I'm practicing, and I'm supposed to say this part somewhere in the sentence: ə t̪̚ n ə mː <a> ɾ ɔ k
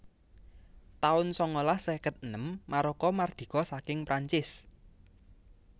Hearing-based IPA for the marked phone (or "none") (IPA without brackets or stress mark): a